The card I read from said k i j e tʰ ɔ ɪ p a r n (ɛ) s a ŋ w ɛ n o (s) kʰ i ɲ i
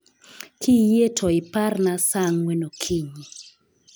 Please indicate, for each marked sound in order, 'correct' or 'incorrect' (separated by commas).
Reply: incorrect, incorrect